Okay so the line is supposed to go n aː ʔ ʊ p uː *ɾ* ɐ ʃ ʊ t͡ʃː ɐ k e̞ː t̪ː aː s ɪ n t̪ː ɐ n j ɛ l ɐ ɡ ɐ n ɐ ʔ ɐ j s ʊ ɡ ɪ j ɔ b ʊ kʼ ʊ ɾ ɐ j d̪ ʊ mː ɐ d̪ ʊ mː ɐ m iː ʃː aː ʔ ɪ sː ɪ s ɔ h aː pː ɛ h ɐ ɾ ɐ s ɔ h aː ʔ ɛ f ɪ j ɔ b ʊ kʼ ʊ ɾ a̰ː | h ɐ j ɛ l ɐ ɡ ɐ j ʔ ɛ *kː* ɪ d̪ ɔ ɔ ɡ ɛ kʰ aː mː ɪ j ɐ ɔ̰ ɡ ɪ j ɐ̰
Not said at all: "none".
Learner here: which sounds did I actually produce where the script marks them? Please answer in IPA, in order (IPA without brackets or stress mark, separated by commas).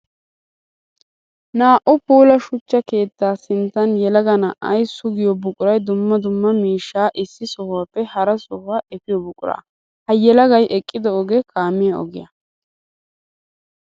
l, kʼː